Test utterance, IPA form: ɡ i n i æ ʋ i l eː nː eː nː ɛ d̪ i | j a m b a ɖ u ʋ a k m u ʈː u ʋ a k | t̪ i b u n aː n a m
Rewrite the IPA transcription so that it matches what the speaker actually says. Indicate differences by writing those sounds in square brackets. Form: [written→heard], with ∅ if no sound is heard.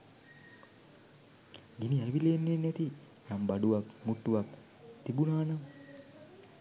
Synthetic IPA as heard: ɡ i n i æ ʋ i l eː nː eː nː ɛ [d̪→t̪] i | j a m b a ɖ u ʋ a k m u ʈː u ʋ a k | t̪ i b u n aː n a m